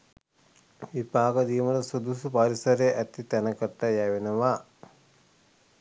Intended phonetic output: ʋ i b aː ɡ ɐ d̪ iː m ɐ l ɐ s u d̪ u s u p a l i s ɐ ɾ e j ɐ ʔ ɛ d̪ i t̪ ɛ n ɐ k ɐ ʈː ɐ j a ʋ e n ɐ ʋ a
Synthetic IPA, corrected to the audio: ʋ i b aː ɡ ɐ d̪ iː m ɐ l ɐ s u d̪ u s u p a ɾ i s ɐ ɾ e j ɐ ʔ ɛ t̪ i t̪ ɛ n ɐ k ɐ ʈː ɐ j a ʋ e n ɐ ʋ a